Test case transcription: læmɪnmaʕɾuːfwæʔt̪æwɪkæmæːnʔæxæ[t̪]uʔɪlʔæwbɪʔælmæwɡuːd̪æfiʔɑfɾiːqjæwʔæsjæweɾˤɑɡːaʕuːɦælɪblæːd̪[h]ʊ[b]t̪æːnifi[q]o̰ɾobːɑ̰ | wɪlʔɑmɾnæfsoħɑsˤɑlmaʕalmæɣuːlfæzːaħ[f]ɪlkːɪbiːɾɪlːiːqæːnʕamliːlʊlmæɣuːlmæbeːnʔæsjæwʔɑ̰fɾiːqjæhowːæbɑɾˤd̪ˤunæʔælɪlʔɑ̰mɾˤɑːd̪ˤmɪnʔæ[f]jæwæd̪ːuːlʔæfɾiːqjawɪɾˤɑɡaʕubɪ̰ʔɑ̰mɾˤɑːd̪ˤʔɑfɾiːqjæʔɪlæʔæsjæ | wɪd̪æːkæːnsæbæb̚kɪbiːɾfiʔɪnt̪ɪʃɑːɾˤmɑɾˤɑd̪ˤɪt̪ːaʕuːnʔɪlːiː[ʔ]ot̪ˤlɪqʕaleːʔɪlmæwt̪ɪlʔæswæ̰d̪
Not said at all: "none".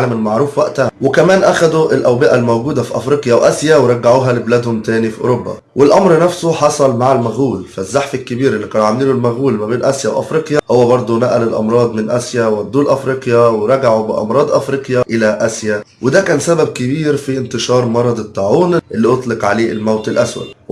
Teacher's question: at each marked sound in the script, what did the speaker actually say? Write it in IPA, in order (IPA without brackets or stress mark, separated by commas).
d̪, h, m, ʔ, f, s, ʔ